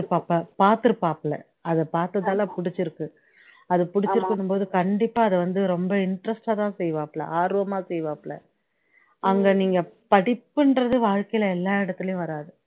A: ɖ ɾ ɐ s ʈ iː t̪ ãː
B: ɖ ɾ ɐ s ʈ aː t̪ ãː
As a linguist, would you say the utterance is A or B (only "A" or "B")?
B